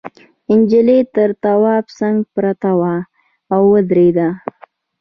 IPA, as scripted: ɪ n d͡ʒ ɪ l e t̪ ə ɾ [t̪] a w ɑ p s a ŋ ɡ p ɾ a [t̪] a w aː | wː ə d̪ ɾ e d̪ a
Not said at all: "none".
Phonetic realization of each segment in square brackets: t̪, t̪

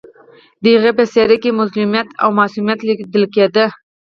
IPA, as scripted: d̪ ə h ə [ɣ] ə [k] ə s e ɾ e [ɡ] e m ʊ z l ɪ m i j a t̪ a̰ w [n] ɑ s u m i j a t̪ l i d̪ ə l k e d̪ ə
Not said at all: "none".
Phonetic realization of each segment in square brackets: ɣ, p, k, m

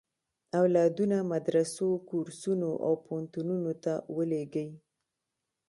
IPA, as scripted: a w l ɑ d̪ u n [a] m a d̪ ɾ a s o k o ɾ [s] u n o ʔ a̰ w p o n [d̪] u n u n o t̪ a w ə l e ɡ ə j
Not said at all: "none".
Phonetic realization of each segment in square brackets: a, s, t̪

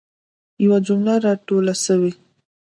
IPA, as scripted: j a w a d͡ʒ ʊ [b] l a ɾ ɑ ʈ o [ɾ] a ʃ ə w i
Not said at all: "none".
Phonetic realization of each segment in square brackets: m, l

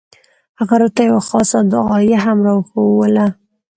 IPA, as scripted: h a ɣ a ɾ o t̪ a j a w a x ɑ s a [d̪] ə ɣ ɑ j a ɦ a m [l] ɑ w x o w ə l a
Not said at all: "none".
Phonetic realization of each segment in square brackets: d̪, ɾ

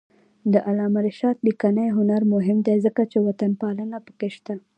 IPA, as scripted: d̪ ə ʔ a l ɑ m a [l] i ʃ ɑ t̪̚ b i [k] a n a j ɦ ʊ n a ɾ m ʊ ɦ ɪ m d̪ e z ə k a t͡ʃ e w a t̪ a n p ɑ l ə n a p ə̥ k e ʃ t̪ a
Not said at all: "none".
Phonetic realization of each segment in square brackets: ɾ, k

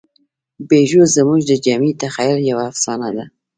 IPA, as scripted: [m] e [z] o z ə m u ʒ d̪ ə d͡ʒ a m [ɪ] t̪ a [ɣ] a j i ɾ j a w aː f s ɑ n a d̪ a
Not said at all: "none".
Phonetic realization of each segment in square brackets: b, ʒ, i, x

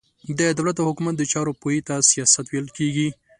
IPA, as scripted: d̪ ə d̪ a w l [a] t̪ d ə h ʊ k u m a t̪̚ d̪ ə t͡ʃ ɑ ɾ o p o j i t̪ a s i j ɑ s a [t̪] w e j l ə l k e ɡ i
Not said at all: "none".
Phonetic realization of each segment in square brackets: a, t̪

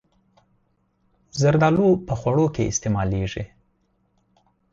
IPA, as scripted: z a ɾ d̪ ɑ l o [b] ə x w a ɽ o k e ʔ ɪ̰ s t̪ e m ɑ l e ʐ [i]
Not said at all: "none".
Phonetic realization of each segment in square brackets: p, i

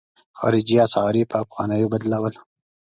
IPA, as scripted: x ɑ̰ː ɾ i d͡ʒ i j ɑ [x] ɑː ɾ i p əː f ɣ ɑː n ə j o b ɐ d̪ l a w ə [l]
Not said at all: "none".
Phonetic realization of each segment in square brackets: s, l

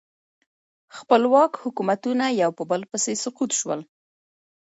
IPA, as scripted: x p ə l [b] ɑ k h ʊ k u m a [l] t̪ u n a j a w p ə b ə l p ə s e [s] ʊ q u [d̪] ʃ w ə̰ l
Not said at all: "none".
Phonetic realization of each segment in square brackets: w, none, s, t̪

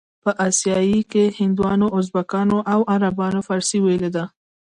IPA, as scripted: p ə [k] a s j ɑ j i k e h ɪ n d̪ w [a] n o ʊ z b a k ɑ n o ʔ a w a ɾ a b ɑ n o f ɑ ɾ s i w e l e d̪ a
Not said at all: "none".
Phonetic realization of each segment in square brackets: ʔ, ɑ

